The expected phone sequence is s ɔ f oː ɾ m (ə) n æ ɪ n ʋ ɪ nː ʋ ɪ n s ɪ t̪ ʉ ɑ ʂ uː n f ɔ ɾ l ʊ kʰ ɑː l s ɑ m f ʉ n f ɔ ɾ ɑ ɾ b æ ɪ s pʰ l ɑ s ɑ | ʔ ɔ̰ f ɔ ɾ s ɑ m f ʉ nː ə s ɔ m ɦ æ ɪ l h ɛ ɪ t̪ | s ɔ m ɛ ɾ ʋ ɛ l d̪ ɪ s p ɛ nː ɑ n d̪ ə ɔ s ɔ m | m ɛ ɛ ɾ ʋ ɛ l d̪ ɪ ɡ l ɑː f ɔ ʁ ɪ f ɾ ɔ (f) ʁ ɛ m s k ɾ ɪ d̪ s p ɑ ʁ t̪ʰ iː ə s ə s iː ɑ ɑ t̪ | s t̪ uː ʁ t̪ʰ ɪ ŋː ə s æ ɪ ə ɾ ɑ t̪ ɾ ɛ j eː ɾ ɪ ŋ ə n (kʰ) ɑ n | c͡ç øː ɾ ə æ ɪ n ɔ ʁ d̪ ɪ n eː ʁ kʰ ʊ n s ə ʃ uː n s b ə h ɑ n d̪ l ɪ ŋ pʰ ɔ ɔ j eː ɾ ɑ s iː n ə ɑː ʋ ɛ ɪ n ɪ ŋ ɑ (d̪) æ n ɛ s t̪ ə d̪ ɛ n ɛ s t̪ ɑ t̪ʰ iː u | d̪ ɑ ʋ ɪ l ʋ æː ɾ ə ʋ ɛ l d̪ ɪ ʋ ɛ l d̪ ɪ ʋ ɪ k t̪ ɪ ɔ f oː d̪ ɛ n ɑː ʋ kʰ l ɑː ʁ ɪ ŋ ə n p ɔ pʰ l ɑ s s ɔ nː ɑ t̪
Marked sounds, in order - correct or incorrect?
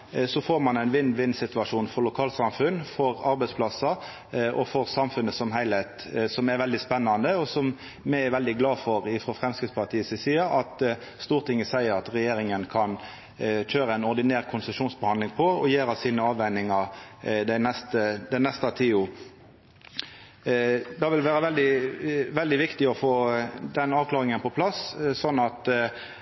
incorrect, correct, correct, correct

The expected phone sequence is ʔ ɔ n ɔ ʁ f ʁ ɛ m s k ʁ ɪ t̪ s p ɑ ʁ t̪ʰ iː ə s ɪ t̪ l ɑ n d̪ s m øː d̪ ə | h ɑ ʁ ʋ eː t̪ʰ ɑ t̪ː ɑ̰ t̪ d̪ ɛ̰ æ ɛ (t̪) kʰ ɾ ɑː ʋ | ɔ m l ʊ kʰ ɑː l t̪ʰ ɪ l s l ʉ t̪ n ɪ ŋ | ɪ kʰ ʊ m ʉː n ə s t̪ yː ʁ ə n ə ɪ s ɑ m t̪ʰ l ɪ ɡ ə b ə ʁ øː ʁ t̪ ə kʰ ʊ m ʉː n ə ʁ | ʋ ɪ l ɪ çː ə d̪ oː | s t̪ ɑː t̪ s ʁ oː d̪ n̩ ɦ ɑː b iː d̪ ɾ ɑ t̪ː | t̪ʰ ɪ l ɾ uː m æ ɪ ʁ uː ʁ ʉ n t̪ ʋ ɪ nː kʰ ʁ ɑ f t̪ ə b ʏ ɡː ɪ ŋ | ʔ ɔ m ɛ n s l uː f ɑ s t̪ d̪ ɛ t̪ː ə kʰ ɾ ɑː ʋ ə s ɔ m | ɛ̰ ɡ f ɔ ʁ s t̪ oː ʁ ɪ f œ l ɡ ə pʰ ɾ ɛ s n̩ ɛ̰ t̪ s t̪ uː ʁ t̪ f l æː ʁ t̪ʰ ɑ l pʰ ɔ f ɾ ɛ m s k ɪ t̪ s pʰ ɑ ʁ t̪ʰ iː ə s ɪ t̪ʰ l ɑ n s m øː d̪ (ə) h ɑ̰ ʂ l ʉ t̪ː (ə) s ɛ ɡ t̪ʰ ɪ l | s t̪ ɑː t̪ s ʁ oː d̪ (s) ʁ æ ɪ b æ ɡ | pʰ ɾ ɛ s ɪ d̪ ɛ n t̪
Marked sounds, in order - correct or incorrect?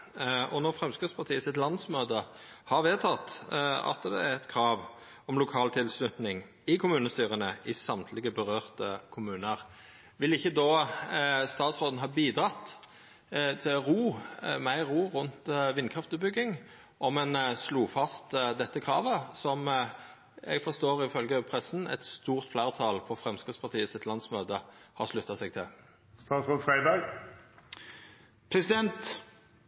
correct, correct, incorrect, incorrect

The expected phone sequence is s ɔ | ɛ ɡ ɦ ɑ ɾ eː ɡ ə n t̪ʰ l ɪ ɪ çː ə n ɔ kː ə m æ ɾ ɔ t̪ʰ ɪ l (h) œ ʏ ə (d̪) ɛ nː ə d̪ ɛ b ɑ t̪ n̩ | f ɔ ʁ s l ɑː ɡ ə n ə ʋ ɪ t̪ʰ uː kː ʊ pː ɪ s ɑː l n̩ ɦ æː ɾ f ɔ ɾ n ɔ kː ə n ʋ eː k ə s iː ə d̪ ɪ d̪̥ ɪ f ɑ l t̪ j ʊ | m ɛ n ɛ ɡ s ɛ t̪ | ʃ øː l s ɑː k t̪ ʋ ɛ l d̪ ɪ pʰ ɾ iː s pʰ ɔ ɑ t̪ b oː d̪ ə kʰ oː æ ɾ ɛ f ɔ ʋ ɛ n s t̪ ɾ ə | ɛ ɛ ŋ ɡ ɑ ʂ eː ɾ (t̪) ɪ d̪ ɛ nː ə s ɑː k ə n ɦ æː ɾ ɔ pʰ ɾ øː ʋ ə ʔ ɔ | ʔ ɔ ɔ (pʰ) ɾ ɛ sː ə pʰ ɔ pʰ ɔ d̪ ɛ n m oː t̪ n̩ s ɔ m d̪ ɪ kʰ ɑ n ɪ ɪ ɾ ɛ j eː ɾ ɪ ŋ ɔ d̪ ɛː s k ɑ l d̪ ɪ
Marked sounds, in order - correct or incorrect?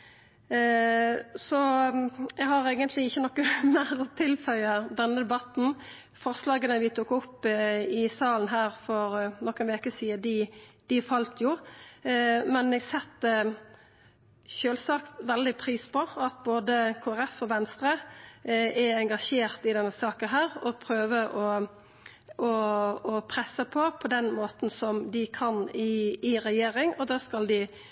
incorrect, correct, correct, correct

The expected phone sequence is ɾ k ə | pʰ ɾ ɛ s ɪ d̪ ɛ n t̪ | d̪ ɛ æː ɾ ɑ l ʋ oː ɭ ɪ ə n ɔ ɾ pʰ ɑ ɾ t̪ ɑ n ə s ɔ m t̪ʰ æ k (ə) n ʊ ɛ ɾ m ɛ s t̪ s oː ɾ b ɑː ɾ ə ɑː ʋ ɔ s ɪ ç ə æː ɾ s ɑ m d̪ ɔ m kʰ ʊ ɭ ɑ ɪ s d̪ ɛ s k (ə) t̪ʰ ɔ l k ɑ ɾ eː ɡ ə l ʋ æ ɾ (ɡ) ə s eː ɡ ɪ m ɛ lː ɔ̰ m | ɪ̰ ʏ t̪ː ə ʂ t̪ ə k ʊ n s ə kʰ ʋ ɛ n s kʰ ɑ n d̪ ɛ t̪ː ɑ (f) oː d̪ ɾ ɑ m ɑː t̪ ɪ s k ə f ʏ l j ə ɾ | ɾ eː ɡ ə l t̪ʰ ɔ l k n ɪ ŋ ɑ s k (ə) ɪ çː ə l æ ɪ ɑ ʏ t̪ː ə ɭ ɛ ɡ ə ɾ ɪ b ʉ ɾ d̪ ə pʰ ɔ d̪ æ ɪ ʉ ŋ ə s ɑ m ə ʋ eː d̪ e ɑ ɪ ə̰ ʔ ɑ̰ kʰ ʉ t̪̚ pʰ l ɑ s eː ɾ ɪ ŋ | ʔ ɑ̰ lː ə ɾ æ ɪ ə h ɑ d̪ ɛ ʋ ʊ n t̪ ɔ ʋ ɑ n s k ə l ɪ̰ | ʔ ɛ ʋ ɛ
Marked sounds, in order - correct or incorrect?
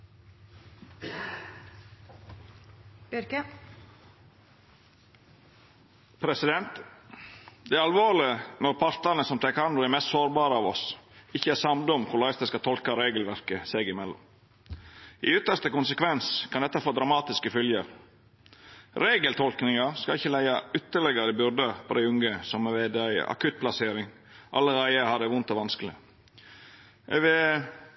incorrect, incorrect, incorrect, correct, incorrect

